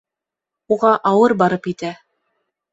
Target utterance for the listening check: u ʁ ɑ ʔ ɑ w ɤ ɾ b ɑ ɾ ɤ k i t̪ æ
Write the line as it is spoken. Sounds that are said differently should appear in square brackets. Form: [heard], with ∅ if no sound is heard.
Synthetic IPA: u ʁ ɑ ʔ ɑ w ɤ ɾ b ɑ ɾ ɤ [p] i t̪ æ